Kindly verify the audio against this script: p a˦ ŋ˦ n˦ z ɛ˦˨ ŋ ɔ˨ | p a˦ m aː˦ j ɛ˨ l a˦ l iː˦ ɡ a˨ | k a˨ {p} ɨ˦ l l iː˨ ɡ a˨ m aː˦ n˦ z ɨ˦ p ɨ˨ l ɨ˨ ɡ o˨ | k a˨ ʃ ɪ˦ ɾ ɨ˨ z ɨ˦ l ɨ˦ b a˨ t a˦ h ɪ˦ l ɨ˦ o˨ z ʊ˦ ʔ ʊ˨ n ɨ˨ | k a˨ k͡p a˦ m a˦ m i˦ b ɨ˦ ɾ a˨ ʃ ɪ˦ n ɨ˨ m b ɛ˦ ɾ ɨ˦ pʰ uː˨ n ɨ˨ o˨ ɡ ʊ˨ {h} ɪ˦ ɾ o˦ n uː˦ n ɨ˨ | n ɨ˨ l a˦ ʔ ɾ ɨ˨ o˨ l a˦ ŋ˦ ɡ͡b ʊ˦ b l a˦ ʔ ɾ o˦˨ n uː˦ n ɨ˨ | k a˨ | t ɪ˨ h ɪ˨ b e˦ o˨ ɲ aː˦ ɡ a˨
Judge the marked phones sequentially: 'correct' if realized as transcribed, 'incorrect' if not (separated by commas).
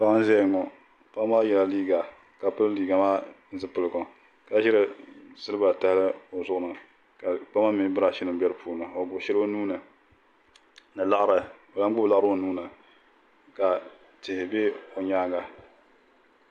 correct, incorrect